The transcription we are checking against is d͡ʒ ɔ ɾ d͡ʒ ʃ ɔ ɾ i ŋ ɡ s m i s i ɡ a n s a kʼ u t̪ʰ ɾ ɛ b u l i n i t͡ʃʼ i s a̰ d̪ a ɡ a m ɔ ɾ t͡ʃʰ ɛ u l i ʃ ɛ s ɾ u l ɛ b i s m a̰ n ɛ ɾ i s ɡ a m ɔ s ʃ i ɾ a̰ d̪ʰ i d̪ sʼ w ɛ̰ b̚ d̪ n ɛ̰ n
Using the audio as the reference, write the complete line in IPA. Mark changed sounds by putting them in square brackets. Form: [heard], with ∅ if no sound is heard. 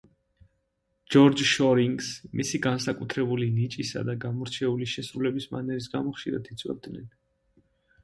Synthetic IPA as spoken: d͡ʒ ɔ ɾ d͡ʒ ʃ ɔ ɾ i ŋ ɡ s m i s i ɡ a n s a kʼ u t̪ʰ ɾ ɛ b u l i n i t͡ʃʼ i s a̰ d̪ a ɡ a m ɔ ɾ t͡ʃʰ ɛ u l i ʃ ɛ s ɾ u l ɛ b i s m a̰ n ɛ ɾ i s ɡ a m ɔ [χ] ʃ i ɾ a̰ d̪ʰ i [t̪] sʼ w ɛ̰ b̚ d̪ n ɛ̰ n